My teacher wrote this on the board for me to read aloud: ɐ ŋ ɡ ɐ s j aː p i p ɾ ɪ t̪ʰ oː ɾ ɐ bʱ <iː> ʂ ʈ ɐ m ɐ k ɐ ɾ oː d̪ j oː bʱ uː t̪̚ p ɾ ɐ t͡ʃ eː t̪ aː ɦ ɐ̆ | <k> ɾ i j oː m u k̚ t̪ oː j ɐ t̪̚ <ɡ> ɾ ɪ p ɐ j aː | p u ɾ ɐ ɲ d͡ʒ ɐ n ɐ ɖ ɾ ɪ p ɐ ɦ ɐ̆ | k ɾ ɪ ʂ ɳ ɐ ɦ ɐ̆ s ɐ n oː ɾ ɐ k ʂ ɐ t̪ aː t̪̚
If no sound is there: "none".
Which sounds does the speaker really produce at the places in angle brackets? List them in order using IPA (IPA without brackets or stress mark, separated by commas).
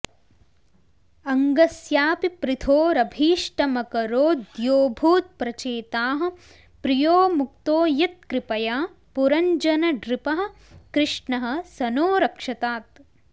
iː, p, k